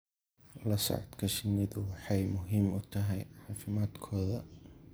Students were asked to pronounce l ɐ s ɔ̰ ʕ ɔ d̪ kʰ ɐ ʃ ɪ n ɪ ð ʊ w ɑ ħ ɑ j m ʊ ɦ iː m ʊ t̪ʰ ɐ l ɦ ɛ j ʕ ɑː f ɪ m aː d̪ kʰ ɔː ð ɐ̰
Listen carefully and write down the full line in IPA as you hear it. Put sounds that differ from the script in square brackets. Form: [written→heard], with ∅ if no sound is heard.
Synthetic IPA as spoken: l ɐ s ɔ̰ ʕ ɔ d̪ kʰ ɐ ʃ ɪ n ɪ ð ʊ w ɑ ħ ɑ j m ʊ ɦ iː m ʊ t̪ʰ ɐ [l→∅] ɦ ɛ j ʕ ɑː f ɪ m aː d̪ kʰ ɔː ð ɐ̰